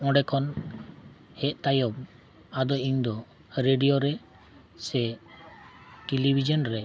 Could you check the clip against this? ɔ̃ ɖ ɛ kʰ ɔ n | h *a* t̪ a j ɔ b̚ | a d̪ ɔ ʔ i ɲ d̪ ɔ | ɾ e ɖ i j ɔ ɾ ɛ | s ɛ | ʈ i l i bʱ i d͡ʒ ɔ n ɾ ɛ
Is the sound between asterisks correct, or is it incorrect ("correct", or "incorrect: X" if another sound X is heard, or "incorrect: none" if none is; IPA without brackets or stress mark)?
incorrect: ɛ